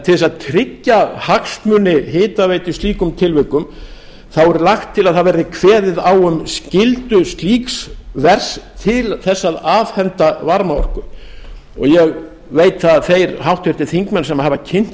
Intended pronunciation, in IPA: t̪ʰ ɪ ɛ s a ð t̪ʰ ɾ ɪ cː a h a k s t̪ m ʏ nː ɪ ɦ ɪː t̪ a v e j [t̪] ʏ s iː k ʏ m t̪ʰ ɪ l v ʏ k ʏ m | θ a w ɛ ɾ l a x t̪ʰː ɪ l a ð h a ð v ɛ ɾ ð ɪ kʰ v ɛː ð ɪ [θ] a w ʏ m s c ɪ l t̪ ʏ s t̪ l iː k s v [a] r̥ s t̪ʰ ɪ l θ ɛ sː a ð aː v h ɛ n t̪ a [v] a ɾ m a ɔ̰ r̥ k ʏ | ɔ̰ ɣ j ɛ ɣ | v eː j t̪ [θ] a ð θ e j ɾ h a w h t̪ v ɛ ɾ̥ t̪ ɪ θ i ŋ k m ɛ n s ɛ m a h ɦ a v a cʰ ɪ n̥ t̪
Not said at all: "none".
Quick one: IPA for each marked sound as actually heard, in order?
t̪, ð, ɛ, v, θ

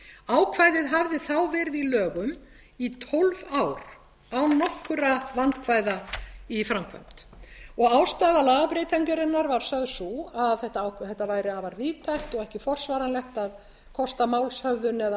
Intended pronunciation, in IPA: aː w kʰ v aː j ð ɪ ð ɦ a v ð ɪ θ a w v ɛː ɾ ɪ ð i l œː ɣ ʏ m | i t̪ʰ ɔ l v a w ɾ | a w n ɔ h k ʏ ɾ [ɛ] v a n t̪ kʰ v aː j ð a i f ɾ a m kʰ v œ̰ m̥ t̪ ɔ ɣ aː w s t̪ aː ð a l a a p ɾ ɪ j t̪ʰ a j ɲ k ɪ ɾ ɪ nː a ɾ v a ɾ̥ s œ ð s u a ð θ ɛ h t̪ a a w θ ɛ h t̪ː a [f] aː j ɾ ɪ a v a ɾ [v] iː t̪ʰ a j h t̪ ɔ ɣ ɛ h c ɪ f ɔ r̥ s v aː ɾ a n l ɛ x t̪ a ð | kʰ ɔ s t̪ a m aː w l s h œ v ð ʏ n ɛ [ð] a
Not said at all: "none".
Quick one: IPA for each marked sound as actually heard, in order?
a, v, v, ð

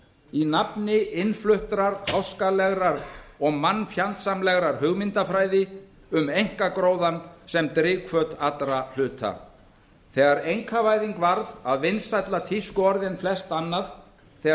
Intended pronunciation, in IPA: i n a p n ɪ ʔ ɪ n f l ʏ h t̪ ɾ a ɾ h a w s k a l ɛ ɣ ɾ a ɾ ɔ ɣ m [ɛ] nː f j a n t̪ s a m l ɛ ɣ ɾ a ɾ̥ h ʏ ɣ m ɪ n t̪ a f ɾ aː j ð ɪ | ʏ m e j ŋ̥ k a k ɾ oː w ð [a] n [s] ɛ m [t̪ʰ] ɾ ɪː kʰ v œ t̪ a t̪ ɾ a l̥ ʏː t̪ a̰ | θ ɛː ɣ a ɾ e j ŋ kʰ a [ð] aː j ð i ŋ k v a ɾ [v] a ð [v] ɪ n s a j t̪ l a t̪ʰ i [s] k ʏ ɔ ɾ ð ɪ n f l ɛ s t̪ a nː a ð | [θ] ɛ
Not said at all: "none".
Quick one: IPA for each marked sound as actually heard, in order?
a, a, s, t̪, v, ð, v, s, θ

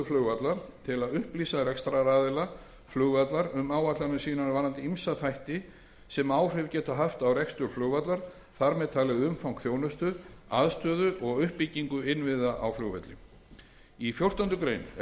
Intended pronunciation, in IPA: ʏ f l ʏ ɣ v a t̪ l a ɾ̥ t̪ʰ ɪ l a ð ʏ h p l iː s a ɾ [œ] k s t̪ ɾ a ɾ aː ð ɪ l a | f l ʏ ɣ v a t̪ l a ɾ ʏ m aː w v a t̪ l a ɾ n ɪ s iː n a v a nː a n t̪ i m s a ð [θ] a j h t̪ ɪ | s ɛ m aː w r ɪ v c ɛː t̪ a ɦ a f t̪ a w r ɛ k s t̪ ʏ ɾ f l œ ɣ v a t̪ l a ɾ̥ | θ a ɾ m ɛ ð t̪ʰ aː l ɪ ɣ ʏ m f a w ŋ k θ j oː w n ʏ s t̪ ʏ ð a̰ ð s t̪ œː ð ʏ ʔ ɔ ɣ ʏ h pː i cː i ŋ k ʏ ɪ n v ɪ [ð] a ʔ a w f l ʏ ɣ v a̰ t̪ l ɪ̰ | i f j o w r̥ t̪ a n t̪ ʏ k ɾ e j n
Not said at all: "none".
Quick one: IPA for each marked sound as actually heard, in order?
ɛ, f, ð

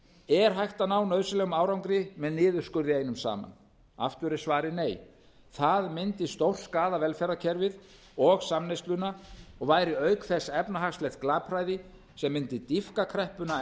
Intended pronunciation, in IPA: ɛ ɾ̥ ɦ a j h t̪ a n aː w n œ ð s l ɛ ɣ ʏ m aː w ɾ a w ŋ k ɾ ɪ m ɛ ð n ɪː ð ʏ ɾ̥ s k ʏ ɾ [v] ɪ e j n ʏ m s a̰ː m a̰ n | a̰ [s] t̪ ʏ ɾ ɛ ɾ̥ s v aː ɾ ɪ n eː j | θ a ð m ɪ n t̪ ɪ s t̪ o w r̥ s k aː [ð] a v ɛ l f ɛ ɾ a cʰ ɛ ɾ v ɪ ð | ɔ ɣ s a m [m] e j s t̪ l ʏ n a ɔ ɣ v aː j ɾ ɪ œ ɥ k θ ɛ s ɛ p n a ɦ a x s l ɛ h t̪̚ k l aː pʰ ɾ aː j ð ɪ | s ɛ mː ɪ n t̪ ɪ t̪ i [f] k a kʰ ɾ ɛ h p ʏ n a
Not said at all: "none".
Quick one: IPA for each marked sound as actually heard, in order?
ð, f, ð, n, f

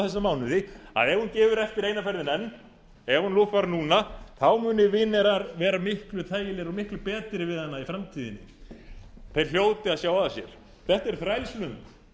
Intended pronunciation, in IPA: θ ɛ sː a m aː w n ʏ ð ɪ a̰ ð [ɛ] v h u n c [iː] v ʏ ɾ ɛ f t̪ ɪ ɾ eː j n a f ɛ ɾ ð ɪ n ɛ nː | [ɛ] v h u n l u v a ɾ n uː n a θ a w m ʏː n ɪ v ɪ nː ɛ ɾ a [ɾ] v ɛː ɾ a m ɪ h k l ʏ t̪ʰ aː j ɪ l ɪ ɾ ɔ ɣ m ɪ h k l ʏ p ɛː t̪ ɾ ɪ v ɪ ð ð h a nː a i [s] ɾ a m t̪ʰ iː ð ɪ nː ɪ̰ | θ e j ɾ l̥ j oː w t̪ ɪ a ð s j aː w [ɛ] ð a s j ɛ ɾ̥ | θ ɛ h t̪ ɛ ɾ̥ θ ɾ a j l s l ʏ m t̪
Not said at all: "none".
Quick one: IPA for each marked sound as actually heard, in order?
ɛ, ɛː, ɛ, ɾ, f, a

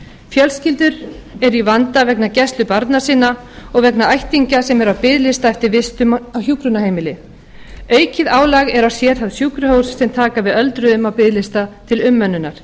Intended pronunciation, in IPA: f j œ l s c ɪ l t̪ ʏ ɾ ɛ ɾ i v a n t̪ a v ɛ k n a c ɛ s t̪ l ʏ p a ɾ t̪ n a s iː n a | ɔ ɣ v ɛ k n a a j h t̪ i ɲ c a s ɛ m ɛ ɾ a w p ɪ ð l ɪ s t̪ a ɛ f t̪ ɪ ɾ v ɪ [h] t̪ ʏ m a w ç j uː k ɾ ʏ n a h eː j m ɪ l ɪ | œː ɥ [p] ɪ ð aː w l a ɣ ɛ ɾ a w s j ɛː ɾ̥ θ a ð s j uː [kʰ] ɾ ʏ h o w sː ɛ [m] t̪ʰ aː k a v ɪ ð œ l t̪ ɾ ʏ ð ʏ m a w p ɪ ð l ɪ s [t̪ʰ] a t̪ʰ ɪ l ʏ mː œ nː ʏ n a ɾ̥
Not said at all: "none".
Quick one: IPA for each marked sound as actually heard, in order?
s, c, k, m, t̪

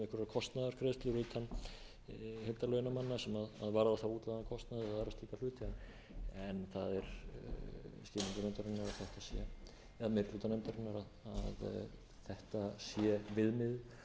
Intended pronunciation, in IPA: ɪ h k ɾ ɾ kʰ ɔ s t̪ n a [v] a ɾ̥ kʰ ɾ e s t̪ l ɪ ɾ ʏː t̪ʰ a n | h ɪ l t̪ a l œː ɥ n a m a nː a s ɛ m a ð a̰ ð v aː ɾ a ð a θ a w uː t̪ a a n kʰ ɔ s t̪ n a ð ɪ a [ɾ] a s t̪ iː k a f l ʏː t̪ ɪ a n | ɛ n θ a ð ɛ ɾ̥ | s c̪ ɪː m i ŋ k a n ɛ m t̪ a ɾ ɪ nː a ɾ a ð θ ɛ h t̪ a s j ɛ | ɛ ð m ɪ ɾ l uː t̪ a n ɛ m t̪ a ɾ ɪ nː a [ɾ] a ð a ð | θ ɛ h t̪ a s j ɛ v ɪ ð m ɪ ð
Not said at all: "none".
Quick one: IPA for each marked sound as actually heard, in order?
ð, ɾ, ɾ

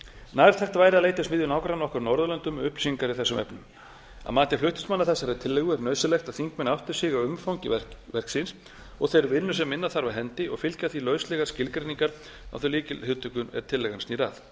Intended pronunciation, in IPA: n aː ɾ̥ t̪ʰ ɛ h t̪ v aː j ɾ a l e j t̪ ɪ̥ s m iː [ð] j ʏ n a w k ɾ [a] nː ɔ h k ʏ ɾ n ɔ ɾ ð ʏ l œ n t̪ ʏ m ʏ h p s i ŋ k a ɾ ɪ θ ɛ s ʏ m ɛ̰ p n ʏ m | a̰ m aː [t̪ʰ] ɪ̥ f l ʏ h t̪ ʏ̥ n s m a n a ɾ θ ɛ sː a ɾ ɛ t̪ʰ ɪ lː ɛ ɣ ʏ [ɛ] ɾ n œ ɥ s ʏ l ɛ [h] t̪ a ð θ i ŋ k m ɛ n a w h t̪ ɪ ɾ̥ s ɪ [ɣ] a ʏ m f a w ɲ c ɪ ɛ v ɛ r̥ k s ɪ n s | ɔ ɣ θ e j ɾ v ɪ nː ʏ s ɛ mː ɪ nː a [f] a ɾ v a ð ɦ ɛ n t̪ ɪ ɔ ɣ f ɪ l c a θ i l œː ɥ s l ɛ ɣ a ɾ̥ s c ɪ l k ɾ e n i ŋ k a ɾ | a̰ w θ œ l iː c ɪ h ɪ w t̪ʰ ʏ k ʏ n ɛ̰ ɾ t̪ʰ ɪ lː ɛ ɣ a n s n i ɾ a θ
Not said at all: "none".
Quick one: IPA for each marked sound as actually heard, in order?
ð, a, t̪, ɛ, x, ɣ, θ

